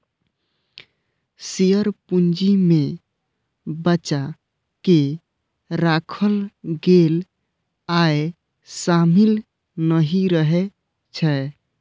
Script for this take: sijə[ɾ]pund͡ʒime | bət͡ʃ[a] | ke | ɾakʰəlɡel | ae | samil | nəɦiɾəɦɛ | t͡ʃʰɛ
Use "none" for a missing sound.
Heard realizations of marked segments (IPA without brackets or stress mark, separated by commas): ɾ, a